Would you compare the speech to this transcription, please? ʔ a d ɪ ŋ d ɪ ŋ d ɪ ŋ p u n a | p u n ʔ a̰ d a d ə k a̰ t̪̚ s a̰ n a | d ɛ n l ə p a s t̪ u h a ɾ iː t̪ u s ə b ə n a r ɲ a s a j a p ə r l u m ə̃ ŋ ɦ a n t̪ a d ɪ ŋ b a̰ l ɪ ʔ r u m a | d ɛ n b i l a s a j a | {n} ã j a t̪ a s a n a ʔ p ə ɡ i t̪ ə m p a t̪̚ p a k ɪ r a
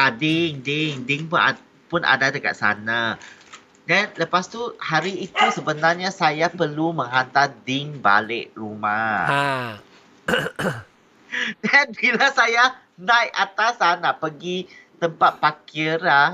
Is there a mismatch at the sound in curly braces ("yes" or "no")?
no